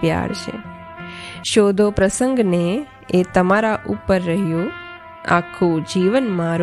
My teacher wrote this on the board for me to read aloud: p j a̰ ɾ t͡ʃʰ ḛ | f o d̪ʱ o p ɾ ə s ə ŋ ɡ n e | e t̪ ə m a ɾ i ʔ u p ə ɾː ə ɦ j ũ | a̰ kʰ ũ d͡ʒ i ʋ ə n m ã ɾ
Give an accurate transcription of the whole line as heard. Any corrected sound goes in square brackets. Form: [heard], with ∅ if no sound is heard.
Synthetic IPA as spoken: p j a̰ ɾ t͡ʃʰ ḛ | [ʃ] o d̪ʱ o p ɾ ə s ə ŋ ɡ n e | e t̪ ə m a ɾ [a] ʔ u p ə ɾː ə ɦ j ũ | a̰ kʰ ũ d͡ʒ i ʋ ə n m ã ɾ